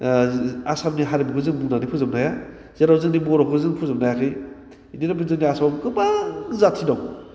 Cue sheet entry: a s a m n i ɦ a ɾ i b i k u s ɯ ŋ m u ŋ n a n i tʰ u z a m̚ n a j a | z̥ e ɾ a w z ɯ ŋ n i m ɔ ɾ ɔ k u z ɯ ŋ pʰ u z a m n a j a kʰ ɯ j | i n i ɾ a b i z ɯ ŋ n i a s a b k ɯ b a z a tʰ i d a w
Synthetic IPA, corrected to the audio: a s a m n i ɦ a ɾ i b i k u z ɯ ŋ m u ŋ n a n i pʰ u z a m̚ n a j a | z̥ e ɾ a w z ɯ ŋ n i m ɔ ɾ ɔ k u z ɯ ŋ pʰ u z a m n a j a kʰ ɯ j | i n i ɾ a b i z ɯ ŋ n i a s a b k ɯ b a z a tʰ i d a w

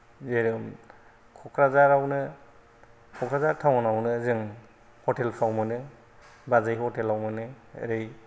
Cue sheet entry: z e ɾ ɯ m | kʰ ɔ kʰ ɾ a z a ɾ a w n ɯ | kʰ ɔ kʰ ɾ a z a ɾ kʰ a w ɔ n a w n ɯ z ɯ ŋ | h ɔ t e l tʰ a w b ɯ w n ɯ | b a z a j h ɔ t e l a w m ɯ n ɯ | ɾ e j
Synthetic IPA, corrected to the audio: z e ɾ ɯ m | kʰ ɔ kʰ ɾ a z a ɾ a w n ɯ | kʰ ɔ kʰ ɾ a z a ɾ tʰ a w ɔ n a w n ɯ z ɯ ŋ | h ɔ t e l pʰ a w m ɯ n ɯ | b a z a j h ɔ t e l a w m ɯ n ɯ | ɾ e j

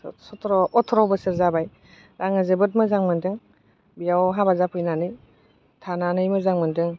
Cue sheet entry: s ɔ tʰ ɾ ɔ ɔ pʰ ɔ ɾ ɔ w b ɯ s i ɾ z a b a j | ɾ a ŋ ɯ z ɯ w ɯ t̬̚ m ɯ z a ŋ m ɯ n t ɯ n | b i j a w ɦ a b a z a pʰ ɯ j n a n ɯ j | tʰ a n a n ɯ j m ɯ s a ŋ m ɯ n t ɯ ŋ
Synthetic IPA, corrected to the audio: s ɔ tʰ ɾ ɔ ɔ tʰ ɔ ɾ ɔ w b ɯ s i ɾ z a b a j | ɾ a ŋ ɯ z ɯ b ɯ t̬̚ m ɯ z a ŋ m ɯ n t ɯ ŋ | b i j a w ɦ a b a z a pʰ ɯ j n a n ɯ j | tʰ a n a n ɯ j m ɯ z a ŋ m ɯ n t ɯ ŋ

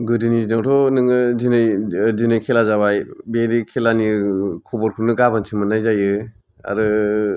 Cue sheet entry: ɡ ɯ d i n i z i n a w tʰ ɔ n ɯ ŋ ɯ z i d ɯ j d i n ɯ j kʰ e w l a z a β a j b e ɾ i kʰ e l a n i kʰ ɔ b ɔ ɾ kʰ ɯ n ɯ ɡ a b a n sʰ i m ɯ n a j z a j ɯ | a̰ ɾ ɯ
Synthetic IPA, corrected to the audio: ɡ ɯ d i n i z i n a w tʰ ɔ n ɯ ŋ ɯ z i n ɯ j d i n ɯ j kʰ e l a z a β a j b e ɾ i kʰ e l a n i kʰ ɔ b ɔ ɾ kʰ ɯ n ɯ ɡ a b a n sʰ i m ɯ n a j z a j ɯ | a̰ ɾ ɯ

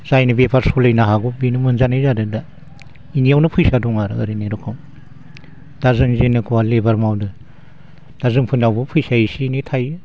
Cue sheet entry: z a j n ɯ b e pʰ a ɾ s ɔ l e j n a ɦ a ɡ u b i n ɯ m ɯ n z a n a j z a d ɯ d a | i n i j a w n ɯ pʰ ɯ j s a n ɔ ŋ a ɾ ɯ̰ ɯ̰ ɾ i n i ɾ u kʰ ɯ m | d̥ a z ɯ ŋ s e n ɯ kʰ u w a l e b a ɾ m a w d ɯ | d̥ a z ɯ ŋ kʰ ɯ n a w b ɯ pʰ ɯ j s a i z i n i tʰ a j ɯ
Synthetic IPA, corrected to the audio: z a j n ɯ b e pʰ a ɾ s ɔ l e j n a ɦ a ɡ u b i n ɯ m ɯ n z a n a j z a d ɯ d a | i n i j a w n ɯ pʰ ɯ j s a d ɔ ŋ a ɾ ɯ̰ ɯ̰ ɾ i n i ɾ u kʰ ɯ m | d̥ a z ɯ ŋ z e n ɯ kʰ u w a l e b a ɾ m a w d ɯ | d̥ a z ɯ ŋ pʰ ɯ n a w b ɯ pʰ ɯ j s a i s i n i tʰ a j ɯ

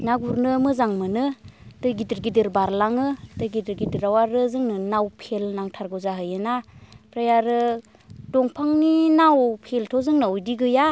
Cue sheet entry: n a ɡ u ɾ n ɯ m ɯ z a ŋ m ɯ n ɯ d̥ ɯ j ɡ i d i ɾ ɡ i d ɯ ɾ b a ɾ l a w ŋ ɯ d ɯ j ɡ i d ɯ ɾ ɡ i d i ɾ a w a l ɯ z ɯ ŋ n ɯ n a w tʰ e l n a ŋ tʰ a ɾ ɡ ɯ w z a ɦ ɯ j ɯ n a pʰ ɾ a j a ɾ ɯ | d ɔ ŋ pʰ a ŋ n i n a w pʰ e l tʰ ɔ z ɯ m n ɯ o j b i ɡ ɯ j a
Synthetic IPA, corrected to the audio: n a ɡ u ɾ n ɯ m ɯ z a ŋ m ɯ n ɯ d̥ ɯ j ɡ i d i ɾ ɡ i d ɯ ɾ b a ɾ l a ŋ ɯ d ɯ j ɡ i d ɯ ɾ ɡ i d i ɾ a w a ɾ ɯ z ɯ ŋ n ɯ n a w pʰ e l n a ŋ tʰ a ɾ ɡ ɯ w z a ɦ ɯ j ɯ n a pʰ ɾ a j a ɾ ɯ | d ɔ ŋ pʰ a ŋ n i n a w pʰ e l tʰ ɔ z ɯ ŋ n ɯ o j d i ɡ ɯ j a

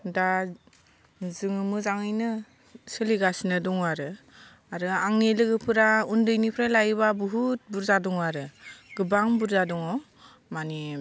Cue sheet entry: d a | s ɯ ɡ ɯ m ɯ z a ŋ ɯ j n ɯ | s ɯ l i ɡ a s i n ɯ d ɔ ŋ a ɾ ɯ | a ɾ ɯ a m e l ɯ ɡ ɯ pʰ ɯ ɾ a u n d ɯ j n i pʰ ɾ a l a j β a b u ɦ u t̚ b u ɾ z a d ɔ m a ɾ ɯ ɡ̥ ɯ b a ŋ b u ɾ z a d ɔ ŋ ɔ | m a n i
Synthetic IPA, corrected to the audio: d a | z ɯ ŋ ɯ m ɯ z a ŋ ɯ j n ɯ | s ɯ l i ɡ a s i n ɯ d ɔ ŋ a ɾ ɯ | a ɾ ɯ a ŋ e l ɯ ɡ ɯ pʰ ɯ ɾ a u n d ɯ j n i pʰ ɾ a l a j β a b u ɦ u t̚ b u ɾ z a d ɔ ŋ a ɾ ɯ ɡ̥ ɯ b a ŋ b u ɾ z a d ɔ ŋ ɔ | m a n i

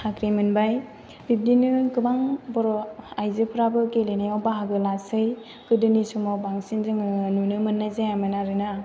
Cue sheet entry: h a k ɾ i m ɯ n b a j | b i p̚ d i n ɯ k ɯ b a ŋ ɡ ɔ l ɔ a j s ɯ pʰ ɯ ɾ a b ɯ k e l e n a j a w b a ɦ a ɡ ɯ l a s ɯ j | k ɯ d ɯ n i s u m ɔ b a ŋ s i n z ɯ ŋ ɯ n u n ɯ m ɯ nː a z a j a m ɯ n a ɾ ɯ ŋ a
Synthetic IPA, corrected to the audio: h a k ɾ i m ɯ n b a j | b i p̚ d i n ɯ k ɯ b a ŋ b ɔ ɾ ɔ a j z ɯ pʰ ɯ ɾ a b ɯ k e l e n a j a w b a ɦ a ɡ ɯ l a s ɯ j | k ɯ d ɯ n i s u m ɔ b a ŋ s i n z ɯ ŋ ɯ n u n ɯ m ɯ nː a z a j a m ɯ n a ɾ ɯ n a

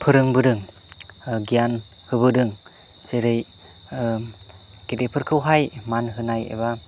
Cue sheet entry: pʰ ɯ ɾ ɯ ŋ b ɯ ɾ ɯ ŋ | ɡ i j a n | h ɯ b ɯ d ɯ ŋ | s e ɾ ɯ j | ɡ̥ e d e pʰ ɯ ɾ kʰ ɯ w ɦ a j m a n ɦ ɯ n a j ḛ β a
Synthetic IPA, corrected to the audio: pʰ ɯ ɾ ɯ ŋ b ɯ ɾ ɯ ŋ | ɡ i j a n | h ɯ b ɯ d ɯ ŋ | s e ɾ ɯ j | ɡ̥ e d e pʰ ɯ ɾ kʰ ɯ w ɦ a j m a n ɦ ɯ n a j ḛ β a

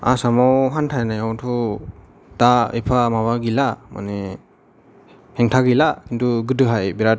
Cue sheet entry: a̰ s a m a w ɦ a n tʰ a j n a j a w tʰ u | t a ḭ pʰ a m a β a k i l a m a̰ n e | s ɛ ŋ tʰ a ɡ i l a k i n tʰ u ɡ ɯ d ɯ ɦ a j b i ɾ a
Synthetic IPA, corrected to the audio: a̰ s a m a w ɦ a n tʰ a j n a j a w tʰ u | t a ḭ pʰ a m a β a ɡ i l a m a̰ n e | h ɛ ŋ tʰ a ɡ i l a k i n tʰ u ɡ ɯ d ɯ ɦ a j b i ɾ a

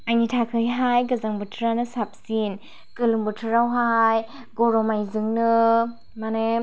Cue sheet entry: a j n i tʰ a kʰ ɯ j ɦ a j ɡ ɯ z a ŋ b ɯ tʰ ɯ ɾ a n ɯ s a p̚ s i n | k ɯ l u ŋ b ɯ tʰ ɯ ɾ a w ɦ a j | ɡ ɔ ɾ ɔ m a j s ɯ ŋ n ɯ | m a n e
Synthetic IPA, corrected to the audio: a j n i tʰ a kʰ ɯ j ɦ a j ɡ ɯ z a ŋ b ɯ tʰ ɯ ɾ a n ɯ s a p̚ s i n | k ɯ l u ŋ b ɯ tʰ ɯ ɾ a w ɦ a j | ɡ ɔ ɾ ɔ m a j z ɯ ŋ n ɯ | m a n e

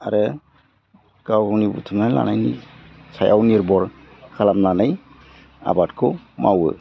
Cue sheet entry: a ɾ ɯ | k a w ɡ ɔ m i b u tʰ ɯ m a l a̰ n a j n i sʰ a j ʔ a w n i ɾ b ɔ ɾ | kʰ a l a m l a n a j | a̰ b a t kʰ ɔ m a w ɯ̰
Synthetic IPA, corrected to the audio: a ɾ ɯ | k a w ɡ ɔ n i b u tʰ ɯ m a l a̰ n a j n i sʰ a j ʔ a w n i ɾ b ɔ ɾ | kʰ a l a m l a n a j | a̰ b a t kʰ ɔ m a w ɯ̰

